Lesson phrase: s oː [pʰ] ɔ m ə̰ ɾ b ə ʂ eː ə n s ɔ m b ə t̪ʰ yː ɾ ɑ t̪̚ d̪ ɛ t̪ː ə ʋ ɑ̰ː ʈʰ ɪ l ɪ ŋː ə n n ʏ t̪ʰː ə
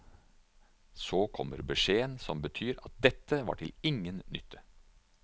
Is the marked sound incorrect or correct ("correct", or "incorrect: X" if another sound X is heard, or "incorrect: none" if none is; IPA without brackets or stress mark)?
incorrect: kʰ